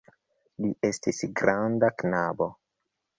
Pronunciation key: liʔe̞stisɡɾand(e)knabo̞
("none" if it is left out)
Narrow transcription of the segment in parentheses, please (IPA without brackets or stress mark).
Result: a